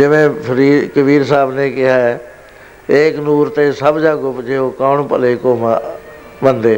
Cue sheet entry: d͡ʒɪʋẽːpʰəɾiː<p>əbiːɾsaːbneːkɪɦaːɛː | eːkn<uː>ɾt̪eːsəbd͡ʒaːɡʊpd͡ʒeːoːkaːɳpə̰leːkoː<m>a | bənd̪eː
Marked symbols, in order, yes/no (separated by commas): no, yes, yes